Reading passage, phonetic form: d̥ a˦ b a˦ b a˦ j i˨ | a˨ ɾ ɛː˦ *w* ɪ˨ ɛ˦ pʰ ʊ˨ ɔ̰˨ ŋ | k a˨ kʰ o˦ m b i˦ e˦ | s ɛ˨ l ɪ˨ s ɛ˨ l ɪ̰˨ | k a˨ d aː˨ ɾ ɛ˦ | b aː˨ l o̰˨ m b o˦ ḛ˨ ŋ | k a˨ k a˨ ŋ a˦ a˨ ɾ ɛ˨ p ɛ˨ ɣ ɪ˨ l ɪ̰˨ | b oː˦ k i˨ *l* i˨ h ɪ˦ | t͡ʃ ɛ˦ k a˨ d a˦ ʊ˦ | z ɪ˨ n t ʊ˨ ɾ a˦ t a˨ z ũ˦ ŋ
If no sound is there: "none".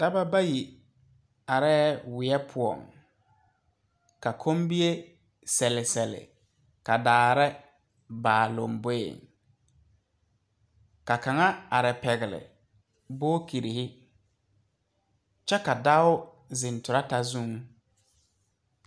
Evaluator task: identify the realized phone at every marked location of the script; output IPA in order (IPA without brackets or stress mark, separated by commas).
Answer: w, ɾ